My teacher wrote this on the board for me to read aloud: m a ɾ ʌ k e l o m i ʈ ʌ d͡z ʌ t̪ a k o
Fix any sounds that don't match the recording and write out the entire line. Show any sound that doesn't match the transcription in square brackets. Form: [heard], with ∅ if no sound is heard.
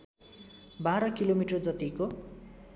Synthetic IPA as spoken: [b] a ɾ ʌ k [i] l o m i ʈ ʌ d͡z ʌ t̪ [i] k o